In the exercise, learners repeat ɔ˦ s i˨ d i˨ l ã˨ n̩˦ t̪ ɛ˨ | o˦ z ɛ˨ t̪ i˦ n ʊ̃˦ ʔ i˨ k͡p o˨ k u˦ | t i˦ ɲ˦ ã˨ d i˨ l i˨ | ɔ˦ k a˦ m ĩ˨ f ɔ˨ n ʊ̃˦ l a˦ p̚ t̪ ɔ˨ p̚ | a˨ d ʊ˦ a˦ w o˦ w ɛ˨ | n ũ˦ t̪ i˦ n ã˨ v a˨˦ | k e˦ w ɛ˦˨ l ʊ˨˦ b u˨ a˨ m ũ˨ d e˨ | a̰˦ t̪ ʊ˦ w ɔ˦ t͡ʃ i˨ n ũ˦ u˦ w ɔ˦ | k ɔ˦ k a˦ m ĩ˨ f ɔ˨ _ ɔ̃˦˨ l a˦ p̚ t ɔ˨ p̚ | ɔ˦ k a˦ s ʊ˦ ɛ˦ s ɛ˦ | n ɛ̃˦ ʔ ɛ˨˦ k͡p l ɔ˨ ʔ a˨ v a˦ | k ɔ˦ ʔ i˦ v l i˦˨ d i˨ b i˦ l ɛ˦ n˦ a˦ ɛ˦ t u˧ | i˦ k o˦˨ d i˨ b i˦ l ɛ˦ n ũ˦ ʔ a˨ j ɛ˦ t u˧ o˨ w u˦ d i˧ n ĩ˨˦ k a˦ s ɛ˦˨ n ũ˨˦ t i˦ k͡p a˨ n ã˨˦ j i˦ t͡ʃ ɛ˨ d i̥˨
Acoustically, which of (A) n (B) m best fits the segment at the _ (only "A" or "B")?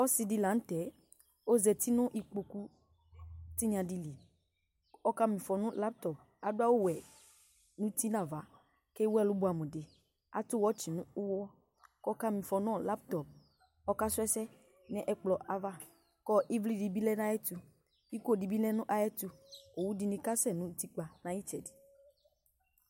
A